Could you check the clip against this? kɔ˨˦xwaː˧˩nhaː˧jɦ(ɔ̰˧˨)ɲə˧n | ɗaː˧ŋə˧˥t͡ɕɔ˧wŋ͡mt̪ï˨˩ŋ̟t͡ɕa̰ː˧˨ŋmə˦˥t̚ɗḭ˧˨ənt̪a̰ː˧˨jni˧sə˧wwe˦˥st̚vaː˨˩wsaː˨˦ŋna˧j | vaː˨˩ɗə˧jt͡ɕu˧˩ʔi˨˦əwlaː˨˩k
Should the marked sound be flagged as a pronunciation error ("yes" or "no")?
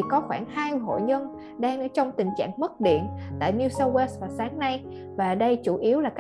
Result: yes